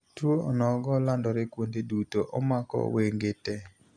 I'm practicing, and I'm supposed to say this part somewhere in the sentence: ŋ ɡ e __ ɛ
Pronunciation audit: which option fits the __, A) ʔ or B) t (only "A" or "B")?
B